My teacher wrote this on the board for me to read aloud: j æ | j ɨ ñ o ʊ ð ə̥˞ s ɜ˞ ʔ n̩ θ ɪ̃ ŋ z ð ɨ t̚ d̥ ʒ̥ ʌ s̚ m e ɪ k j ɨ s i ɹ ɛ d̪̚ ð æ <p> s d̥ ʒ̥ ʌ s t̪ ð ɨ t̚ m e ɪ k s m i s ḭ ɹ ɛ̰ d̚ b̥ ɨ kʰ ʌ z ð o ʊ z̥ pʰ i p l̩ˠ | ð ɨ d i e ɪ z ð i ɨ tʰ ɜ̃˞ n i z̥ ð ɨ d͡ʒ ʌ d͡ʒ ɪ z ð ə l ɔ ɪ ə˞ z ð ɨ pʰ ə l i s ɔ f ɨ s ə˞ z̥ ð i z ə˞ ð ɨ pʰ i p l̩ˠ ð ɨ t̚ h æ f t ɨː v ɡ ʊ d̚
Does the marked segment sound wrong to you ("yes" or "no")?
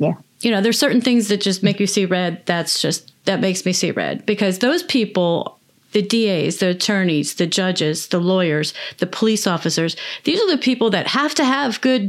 yes